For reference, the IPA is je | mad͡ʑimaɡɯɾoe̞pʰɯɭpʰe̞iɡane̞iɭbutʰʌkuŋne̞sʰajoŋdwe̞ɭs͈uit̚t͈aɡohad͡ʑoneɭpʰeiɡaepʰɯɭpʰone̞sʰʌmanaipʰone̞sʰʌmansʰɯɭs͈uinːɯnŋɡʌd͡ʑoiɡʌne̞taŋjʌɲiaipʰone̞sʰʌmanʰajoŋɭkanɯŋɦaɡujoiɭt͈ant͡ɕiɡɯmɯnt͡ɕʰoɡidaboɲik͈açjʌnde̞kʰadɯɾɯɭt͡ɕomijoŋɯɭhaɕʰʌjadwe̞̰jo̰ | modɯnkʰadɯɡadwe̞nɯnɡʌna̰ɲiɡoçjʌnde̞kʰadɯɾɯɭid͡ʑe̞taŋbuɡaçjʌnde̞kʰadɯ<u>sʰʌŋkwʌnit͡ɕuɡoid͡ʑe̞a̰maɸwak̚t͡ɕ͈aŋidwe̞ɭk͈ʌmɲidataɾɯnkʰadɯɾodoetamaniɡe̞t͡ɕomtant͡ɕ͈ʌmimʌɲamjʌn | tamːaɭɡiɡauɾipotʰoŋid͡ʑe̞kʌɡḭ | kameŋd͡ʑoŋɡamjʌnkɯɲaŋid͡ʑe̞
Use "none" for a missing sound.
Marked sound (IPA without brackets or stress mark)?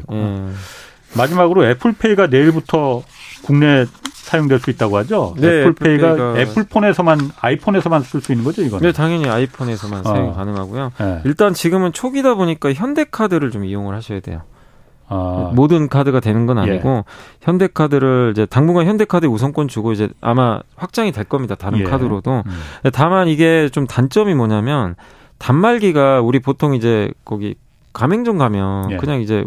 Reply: u